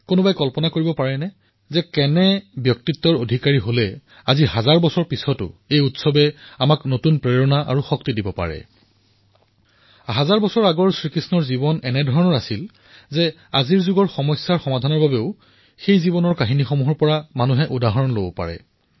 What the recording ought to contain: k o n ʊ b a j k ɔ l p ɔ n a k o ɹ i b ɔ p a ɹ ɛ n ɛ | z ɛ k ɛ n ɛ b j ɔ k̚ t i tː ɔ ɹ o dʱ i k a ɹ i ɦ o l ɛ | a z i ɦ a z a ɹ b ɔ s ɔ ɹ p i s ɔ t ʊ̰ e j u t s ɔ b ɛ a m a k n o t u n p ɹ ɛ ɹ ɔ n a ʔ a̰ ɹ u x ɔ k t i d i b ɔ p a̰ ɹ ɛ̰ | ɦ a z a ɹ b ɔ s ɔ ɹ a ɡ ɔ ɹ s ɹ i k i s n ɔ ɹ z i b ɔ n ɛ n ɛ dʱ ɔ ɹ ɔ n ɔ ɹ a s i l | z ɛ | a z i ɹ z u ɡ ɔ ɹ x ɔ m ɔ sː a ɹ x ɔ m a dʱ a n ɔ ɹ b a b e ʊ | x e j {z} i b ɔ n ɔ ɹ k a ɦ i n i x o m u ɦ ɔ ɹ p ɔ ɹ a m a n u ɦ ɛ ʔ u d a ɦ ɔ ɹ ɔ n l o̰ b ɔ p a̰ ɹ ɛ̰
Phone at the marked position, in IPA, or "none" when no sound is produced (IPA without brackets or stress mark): z